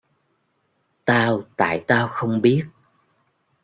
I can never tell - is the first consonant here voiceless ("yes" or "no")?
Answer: yes